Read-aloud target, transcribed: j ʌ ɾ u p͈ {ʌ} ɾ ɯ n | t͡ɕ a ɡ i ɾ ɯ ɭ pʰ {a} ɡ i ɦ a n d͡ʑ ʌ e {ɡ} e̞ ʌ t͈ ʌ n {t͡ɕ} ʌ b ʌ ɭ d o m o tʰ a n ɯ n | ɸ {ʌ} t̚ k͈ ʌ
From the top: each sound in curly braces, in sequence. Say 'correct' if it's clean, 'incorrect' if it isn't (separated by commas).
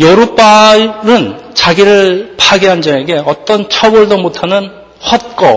incorrect, correct, correct, incorrect, correct